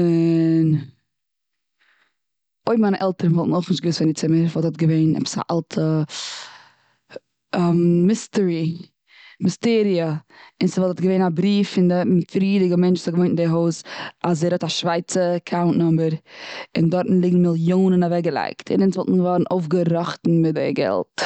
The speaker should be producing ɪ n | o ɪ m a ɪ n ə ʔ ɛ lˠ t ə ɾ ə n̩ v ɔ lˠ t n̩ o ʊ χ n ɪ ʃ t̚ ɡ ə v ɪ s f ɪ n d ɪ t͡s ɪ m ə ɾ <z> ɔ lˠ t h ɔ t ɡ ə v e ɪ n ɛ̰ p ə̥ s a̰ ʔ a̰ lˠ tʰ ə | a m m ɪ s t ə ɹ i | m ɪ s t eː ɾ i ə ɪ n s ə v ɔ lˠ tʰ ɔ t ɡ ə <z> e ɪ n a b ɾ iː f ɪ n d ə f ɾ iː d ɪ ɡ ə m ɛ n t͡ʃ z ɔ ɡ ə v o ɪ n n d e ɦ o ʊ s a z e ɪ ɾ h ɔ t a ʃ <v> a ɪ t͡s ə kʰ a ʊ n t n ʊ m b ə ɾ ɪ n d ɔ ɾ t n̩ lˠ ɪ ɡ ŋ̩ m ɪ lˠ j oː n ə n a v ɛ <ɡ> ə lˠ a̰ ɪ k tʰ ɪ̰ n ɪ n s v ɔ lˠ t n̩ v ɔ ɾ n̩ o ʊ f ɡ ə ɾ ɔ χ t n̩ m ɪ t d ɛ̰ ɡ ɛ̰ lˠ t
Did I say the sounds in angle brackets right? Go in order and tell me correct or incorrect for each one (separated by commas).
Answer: incorrect, incorrect, correct, correct